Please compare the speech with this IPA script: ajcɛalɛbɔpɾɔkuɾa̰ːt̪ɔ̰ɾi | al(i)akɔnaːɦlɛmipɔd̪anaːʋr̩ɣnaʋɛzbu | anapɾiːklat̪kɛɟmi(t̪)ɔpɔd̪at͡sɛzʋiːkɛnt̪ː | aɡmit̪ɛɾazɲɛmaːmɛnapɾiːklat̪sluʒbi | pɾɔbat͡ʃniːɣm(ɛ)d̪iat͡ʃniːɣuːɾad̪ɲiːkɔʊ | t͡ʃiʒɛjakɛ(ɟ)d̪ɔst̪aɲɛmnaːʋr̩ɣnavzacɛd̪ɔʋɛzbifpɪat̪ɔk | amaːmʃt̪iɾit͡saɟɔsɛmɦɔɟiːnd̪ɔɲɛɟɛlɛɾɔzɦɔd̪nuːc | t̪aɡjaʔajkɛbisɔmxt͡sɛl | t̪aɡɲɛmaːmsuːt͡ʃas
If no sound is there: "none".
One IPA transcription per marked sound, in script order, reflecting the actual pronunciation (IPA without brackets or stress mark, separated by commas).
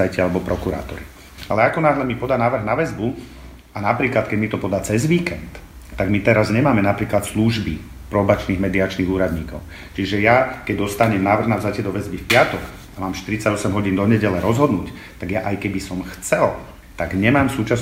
ɛ, t̪, ɛ, ɟ